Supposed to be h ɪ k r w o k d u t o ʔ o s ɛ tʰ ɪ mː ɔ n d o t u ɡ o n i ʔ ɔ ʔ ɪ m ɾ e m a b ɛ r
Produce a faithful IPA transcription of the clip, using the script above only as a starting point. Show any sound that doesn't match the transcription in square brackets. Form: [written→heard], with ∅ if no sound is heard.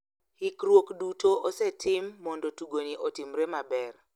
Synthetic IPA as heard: h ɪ k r w o k d u t o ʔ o s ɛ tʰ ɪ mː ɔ n d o t u ɡ o n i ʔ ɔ [ʔ→t] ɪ m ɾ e m a b ɛ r

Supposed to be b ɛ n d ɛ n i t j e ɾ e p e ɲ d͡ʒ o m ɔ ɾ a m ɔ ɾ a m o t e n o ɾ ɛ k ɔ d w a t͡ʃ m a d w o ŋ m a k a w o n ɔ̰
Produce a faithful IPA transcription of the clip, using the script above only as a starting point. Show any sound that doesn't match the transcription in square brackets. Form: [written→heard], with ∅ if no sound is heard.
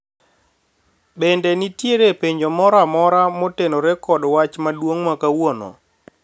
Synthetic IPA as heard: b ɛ n d ɛ n i t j e ɾ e p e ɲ d͡ʒ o m ɔ ɾ a m ɔ ɾ a m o t e n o ɾ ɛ k ɔ d w a t͡ʃ m a d w o ŋ m a k a w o n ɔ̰

